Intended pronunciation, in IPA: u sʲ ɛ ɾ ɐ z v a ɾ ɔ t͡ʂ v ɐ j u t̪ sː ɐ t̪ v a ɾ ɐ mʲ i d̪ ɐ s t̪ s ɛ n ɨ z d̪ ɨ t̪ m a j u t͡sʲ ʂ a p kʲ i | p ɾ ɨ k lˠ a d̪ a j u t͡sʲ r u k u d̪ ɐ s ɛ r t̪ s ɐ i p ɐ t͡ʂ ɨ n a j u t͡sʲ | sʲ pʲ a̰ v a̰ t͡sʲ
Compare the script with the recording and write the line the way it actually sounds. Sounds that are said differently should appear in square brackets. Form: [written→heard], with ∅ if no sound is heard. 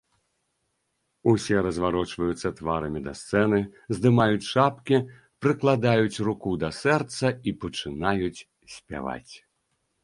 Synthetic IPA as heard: u sʲ ɛ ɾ ɐ z v a ɾ ɔ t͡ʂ v ɐ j u t̪ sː ɐ t̪ v a ɾ ɐ mʲ i d̪ ɐ s t̪ s ɛ n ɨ z d̪ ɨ [t̪→∅] m a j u t͡sʲ ʂ a p kʲ i | p ɾ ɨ k lˠ a d̪ a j u t͡sʲ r u k u d̪ ɐ s ɛ r t̪ s ɐ i p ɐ t͡ʂ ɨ n a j u t͡sʲ | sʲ pʲ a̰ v a̰ t͡sʲ